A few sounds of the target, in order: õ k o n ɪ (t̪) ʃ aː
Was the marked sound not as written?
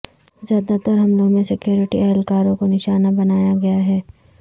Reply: yes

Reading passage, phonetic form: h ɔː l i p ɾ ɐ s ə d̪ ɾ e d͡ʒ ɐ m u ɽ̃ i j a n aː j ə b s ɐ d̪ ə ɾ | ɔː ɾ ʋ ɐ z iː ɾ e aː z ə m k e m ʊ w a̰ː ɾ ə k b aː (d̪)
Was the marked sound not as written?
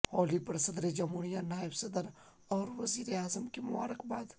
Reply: no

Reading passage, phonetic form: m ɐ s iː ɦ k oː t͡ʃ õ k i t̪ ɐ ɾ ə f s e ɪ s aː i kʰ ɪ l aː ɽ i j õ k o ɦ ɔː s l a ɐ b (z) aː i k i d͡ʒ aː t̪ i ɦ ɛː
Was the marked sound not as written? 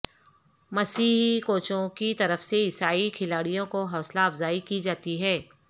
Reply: no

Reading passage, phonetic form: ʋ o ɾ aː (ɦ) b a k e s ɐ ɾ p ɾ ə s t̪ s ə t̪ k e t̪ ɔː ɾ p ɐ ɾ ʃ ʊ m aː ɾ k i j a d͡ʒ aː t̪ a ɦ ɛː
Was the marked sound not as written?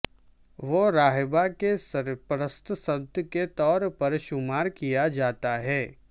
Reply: no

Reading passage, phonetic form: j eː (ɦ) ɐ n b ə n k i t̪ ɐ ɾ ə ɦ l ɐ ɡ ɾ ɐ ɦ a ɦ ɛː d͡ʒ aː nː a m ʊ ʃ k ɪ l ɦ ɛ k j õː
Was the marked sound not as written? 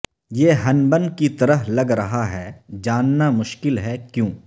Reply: no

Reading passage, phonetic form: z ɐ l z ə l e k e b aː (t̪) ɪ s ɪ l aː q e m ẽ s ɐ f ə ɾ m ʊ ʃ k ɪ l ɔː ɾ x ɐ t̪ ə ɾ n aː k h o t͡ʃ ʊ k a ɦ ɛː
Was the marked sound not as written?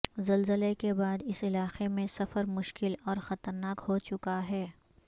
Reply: yes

